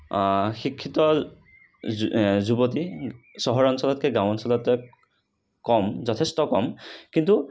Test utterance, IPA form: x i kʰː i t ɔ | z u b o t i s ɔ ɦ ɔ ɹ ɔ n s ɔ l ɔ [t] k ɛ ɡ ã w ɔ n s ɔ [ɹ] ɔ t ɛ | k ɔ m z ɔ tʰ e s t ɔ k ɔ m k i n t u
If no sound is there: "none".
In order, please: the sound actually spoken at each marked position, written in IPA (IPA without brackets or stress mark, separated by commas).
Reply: t, l